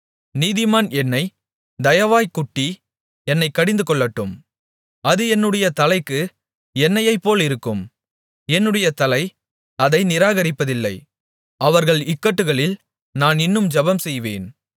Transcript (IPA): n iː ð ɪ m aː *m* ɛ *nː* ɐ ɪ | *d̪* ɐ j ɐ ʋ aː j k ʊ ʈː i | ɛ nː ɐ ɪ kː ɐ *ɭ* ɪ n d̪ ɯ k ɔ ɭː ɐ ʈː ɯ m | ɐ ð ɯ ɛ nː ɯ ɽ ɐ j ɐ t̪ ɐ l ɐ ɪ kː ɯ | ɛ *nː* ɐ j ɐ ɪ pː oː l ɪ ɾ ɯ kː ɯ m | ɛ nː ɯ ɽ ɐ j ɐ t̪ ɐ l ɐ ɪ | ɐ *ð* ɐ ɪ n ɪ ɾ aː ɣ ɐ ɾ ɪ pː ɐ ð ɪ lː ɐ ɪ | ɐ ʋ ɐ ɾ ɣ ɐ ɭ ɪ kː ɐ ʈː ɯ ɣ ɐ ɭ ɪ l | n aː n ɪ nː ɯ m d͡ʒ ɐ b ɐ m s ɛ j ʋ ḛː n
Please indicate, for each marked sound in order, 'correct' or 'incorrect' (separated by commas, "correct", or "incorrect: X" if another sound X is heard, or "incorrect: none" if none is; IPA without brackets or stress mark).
incorrect: n, correct, correct, incorrect: ɽ, correct, correct